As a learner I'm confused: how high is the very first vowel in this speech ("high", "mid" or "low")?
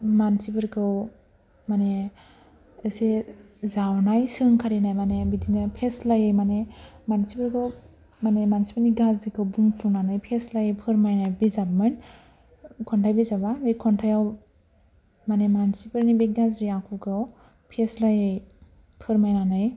low